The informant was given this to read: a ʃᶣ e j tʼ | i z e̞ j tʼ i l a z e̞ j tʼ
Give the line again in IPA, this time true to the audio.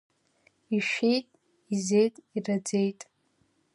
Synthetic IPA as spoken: i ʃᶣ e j tʼ | i z e̞ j tʼ i r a d͡z e̞ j tʼ